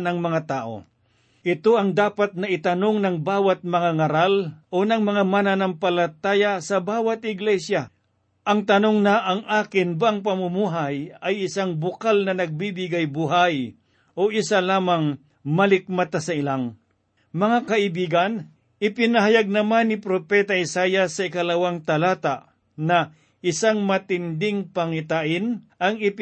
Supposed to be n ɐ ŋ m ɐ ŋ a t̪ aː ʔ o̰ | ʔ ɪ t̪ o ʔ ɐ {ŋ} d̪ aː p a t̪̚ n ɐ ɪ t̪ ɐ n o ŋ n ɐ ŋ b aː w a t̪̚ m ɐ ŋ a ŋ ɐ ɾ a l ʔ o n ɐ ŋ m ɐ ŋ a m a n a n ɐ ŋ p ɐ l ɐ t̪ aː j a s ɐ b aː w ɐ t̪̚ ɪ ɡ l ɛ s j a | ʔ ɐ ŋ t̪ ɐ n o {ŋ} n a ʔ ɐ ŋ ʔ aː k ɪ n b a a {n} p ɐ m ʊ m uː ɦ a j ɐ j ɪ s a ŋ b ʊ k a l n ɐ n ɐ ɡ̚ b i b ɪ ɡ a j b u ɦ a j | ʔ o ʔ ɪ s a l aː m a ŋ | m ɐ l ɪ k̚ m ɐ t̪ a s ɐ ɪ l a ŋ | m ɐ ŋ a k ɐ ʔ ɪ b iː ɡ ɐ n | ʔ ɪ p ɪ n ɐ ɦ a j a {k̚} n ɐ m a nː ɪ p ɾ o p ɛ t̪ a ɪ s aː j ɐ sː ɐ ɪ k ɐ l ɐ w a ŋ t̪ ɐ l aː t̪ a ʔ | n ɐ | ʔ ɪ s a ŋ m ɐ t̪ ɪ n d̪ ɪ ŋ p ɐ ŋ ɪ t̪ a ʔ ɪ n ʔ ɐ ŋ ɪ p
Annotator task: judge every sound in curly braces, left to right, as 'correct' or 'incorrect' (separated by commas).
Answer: correct, correct, incorrect, incorrect